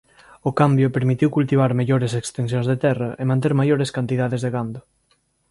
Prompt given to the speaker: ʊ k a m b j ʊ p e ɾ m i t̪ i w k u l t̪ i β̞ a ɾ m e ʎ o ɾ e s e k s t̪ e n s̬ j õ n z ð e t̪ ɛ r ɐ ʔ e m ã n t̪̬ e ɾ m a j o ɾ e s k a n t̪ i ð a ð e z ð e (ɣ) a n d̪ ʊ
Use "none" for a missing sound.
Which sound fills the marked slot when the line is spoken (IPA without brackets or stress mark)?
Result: ɣ